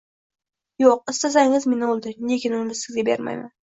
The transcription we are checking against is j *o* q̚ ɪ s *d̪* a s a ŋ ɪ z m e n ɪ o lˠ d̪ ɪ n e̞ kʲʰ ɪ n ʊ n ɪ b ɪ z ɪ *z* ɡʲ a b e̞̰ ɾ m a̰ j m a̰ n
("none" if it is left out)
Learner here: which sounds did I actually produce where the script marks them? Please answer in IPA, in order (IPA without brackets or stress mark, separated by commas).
o, t̪, z